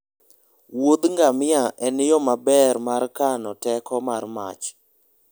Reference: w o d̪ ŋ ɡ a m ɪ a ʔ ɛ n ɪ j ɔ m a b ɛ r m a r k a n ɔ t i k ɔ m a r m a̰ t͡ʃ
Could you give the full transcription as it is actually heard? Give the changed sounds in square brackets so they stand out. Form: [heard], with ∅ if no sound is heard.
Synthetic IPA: w o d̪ ŋ ɡ a m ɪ a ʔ ɛ n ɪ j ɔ m a b ɛ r m a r k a n ɔ t [ɛ] k ɔ m a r m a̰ t͡ʃ